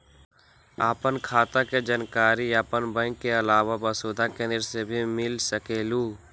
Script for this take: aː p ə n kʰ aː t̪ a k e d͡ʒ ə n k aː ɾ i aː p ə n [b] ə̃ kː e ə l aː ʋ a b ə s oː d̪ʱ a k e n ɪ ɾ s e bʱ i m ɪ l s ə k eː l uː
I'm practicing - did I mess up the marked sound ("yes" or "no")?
no